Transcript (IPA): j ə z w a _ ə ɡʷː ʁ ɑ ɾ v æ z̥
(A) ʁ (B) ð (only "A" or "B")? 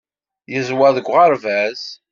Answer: B